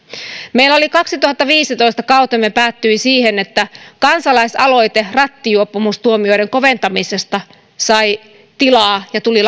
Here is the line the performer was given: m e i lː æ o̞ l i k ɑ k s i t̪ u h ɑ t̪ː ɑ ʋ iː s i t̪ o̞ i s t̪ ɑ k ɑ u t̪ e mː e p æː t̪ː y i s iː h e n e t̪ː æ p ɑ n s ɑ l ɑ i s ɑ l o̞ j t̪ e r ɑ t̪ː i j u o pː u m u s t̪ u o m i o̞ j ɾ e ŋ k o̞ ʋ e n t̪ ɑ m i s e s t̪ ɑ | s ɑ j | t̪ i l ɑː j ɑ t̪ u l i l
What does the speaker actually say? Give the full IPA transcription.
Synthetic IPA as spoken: m e i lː æ o̞ l i k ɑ k s i t̪ u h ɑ t̪ː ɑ ʋ iː s i t̪ o̞ i s t̪ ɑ k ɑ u t̪ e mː e p æː t̪ː y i s iː h e n e t̪ː æ k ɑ n s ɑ l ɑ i s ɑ l o̞ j t̪ e r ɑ t̪ː i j u o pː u m u s t̪ u o m i o̞ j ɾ e ŋ k o̞ ʋ e n t̪ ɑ m i s e s t̪ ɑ | s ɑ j | t̪ i l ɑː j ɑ t̪ u l i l